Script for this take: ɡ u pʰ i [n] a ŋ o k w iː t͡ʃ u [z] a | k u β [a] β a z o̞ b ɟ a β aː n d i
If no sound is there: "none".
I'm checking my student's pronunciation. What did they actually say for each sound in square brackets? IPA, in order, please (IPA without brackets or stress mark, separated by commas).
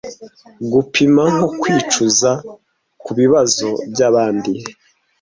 m, z, i